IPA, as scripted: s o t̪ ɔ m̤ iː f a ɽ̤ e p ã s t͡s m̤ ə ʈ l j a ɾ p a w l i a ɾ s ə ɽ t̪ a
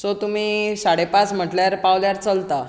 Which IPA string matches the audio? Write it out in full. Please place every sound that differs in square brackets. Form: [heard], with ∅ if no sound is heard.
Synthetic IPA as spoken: s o t̪ [u] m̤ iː [s] a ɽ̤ e p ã [∅] t͡s m̤ ə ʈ l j a ɾ p a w l [j] a ɾ [t͡s] ə [l] t̪ a